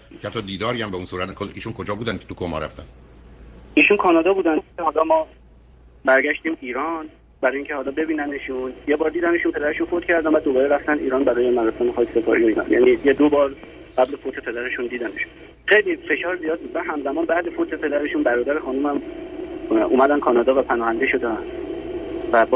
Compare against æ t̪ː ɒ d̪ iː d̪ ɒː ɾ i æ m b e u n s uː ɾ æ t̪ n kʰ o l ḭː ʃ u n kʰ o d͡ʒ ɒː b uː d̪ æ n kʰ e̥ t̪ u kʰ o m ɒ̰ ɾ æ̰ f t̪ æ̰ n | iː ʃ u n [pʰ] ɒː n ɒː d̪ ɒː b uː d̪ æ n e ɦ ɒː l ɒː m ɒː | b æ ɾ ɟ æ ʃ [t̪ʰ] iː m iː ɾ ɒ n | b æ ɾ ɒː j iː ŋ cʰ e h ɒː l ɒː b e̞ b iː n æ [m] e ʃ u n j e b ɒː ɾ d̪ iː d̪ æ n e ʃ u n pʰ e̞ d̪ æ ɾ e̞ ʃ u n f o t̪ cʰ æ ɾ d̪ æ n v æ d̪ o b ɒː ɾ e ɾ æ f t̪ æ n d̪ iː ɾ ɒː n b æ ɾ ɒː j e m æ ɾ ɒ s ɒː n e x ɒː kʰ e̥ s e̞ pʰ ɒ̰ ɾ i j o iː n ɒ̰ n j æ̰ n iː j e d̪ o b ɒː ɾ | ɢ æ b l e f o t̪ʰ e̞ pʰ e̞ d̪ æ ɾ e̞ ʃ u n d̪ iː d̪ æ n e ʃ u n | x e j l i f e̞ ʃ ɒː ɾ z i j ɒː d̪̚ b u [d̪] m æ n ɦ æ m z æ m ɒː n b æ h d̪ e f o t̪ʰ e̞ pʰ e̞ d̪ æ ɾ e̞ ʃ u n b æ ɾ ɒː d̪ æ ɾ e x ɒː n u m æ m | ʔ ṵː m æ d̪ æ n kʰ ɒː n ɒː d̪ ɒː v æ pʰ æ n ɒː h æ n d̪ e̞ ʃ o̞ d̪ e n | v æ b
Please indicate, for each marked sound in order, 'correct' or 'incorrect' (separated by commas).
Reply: incorrect, incorrect, incorrect, correct